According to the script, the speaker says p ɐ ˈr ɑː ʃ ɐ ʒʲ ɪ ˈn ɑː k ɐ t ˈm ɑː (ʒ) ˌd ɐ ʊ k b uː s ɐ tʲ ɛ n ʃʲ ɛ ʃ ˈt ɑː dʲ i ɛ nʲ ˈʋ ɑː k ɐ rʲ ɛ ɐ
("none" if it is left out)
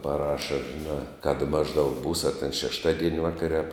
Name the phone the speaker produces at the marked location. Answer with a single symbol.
ʒ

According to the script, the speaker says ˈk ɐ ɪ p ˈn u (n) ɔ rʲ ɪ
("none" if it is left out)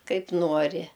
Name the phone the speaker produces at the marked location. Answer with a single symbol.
none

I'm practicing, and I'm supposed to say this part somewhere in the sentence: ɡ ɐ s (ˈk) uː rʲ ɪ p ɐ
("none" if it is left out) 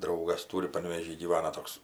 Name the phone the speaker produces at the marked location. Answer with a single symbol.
t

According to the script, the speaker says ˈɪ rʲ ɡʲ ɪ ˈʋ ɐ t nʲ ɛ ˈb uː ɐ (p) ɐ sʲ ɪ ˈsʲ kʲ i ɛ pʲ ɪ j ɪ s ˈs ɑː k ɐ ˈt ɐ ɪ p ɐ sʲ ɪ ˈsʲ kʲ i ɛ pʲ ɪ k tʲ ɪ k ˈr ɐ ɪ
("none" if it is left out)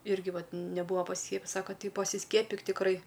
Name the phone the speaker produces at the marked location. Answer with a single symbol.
p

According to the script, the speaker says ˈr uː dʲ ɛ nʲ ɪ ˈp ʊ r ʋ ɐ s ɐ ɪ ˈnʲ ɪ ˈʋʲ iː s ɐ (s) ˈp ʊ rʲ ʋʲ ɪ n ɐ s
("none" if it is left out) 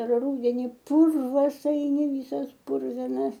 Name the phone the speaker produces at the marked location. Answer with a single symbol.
s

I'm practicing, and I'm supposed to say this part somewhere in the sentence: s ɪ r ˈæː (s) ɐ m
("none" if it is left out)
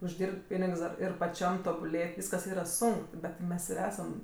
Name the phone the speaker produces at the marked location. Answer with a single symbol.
s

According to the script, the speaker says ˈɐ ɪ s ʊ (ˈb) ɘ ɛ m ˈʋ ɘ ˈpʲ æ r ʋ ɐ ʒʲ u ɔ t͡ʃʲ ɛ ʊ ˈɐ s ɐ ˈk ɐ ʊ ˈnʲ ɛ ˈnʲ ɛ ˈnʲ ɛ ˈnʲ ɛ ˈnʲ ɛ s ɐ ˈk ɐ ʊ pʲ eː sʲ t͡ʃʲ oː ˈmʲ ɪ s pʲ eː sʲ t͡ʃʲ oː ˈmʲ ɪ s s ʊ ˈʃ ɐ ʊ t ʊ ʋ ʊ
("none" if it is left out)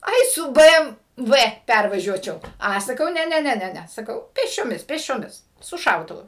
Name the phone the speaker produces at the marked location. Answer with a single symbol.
b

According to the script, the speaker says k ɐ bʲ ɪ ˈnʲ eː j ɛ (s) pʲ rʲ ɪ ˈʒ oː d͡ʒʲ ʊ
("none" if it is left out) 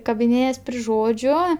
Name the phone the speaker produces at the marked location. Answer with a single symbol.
s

